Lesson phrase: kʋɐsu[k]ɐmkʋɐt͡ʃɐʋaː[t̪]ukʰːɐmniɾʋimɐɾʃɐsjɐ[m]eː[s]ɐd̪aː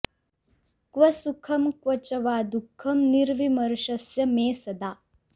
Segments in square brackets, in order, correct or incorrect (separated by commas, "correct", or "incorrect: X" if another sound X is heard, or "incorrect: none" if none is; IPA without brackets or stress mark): incorrect: kʰ, incorrect: d̪, correct, correct